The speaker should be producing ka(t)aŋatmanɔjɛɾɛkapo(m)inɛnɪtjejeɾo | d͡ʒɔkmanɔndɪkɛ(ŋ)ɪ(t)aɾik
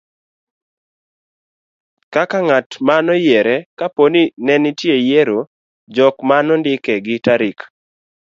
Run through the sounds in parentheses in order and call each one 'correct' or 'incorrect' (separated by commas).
incorrect, incorrect, incorrect, correct